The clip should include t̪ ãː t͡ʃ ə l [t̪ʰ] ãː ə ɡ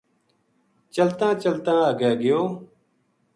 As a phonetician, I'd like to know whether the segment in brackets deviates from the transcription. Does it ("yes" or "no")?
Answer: yes